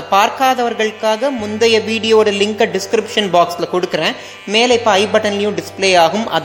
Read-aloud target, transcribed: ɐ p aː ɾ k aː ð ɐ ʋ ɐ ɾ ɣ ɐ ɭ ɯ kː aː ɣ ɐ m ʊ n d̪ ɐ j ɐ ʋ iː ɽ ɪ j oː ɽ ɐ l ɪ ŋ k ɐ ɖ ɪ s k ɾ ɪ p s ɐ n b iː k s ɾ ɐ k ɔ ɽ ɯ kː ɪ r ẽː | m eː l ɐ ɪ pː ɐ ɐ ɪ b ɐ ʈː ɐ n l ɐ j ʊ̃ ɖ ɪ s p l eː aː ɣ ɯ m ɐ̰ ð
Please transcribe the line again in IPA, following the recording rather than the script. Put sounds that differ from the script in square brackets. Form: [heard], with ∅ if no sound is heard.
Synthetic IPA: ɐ p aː ɾ k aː ð ɐ ʋ ɐ ɾ ɣ ɐ ɭ ɯ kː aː ɣ ɐ m ʊ n d̪ ɐ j ɐ ʋ iː ɽ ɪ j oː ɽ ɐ l ɪ ŋ k ɐ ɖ ɪ s k ɾ ɪ p [ʂ] ɐ n b [aː] k s [l] ɐ k ɔ ɽ ɯ kː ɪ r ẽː | m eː l ɐ ɪ pː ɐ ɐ ɪ b ɐ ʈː ɐ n l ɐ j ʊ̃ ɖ ɪ s p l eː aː ɣ ɯ m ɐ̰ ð